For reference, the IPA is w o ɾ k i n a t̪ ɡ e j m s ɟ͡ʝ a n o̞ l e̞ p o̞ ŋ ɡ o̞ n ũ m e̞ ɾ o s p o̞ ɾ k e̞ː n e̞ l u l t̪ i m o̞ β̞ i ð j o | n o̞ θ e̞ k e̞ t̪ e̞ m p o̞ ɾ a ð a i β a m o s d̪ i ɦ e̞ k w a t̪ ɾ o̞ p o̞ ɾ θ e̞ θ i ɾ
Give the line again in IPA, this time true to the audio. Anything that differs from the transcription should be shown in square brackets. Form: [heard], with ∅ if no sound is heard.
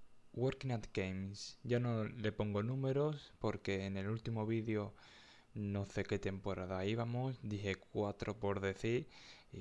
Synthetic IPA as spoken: w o ɾ k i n a t̪ ɡ e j m s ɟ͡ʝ a n o̞ l e̞ p o̞ ŋ ɡ o̞ n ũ m e̞ ɾ o s p o̞ ɾ k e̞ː n e̞ l u l t̪ i m o̞ β̞ i ð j o | n o̞ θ e̞ k e̞ t̪ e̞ m p o̞ ɾ a ð a i β a m o s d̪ i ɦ e̞ k w a t̪ ɾ o̞ p o̞ ɾ [ð] e̞ θ i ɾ